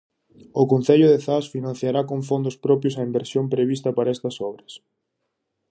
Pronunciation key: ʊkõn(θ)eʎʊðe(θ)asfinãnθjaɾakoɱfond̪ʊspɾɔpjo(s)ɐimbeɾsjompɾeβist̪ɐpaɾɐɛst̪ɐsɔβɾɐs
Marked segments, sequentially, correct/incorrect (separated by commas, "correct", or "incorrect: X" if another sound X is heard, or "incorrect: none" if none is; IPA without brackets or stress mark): correct, correct, correct